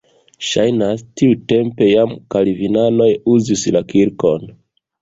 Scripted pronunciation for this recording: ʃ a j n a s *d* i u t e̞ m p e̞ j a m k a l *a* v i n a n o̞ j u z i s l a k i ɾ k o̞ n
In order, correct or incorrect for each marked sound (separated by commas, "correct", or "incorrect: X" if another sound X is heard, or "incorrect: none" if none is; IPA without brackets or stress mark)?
incorrect: t, incorrect: i